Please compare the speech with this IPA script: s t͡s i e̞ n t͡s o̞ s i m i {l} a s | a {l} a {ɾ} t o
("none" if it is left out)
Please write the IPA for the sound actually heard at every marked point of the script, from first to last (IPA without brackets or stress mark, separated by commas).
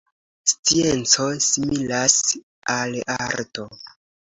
l, l, ɾ